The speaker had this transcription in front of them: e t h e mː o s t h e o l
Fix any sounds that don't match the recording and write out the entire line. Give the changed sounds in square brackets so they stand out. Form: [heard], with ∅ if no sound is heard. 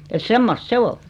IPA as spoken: e t [s] e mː o s t [s] e o l